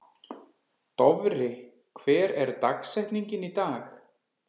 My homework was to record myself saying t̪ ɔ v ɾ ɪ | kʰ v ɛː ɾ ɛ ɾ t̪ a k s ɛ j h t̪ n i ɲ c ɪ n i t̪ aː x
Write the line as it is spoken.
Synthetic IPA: t̪ ɔ v ɾ ɪ | kʰ v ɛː ɾ ɛ ɾ t̪ a k s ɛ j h t̪ n i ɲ c ɪ n i t̪ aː x